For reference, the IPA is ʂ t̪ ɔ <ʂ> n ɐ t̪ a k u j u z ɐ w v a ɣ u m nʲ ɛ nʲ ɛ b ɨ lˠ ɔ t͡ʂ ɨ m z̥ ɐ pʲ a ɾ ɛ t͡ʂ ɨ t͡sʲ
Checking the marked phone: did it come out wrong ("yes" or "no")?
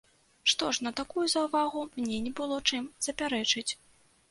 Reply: no